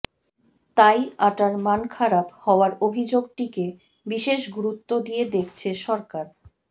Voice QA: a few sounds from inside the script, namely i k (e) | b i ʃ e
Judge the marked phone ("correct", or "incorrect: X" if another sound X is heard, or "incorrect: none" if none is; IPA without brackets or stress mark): correct